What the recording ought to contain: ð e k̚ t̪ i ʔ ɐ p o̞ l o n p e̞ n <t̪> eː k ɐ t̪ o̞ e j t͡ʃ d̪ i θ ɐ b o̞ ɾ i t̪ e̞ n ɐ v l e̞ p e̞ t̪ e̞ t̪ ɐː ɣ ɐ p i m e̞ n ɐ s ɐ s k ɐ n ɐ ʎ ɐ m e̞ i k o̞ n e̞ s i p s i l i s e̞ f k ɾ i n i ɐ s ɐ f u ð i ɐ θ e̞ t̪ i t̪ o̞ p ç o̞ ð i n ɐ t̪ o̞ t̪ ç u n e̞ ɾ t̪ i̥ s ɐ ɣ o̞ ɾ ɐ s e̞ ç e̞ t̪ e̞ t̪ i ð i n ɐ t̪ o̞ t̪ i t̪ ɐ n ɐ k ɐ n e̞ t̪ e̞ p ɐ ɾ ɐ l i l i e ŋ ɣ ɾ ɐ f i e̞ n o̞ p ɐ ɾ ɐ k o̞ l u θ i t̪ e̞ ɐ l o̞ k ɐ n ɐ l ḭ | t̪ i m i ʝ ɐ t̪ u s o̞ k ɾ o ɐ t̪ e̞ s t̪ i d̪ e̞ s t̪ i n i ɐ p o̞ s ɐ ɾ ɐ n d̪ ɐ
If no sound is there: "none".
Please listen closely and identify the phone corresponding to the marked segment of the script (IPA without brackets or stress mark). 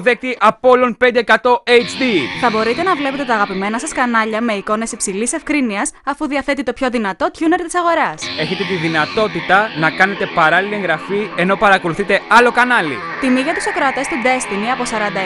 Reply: d̪